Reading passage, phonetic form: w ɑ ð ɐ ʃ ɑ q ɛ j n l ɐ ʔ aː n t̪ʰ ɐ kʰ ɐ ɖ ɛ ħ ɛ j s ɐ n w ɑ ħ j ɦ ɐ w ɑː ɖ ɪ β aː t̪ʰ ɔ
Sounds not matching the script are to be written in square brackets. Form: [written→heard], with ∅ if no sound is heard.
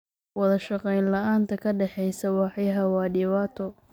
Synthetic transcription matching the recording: w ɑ ð ɐ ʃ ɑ q ɛ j n l ɐ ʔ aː n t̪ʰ ɐ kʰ ɐ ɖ ɛ ħ ɛ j s ɐ [n→∅] w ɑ ħ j ɦ ɐ w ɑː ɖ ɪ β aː t̪ʰ ɔ

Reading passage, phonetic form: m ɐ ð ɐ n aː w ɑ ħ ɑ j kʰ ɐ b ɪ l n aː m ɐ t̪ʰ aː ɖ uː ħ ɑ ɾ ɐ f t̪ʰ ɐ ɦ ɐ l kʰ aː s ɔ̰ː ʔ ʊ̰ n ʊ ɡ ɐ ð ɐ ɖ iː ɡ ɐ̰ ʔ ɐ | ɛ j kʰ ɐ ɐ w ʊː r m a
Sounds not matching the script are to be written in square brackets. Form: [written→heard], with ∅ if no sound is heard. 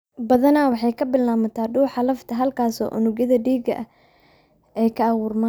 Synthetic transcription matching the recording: [m→b] ɐ ð ɐ n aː w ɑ ħ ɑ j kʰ ɐ b ɪ l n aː m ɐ t̪ʰ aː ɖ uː ħ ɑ [ɾ→l] ɐ f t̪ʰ ɐ ɦ ɐ l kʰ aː s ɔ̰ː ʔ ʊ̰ n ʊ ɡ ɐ ð ɐ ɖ iː ɡ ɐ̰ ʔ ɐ | ɛ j kʰ ɐ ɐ w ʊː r m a

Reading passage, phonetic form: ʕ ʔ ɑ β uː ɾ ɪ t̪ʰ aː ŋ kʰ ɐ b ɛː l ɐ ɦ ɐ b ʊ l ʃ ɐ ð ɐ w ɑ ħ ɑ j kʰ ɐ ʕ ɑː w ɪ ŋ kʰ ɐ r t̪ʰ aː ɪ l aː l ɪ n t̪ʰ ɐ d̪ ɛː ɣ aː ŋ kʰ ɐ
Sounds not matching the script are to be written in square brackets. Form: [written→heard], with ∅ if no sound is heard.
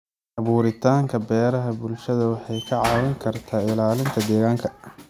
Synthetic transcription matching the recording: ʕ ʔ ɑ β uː ɾ ɪ t̪ʰ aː ŋ kʰ ɐ b ɛː [l→ɾ] ɐ ɦ ɐ b ʊ l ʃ ɐ ð ɐ w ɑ ħ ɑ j kʰ ɐ ʕ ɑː w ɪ ŋ kʰ ɐ r t̪ʰ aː ɪ l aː l ɪ n t̪ʰ ɐ d̪ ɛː ɣ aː ŋ kʰ ɐ

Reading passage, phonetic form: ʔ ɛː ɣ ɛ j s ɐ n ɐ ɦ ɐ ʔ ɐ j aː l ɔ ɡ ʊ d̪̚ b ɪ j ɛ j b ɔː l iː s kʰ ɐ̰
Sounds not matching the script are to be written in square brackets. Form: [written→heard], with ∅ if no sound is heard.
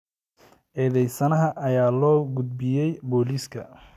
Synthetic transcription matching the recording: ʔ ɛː [ɣ→ð] ɛ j s ɐ n ɐ ɦ ɐ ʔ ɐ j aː l [ɔ→ɔː] ɡ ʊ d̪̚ b ɪ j ɛ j b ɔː l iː s kʰ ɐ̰

